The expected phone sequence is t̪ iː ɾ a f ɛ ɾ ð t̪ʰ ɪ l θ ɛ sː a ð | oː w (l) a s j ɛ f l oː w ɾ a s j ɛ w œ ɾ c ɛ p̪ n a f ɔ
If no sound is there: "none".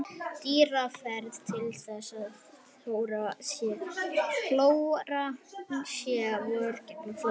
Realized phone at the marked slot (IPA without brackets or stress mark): ɾ